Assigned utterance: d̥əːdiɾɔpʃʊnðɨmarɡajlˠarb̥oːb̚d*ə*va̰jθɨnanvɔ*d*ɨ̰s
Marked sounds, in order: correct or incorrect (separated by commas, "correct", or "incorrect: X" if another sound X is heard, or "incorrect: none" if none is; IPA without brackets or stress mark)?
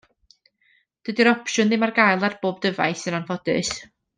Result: correct, correct